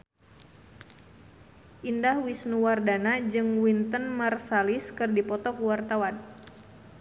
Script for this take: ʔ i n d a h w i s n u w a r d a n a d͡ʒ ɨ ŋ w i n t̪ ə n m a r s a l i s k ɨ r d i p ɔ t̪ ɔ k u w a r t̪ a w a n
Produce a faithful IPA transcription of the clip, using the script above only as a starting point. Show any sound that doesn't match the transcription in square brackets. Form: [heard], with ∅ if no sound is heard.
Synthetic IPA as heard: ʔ i n d a h w i s n u w a r d a n a d͡ʒ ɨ ŋ w i n t̪ ə n m a r s a l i s k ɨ r d i p ɔ t̪ ɔ k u w a r t̪ a w a n